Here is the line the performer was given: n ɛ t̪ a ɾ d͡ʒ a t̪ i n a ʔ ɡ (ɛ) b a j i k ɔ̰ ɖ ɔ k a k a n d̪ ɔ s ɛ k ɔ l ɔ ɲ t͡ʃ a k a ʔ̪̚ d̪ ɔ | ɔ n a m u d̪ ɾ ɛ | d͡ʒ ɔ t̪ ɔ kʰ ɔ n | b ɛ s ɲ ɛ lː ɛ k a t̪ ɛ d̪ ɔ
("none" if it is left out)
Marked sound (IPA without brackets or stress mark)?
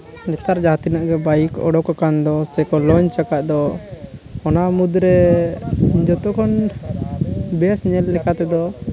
ɛ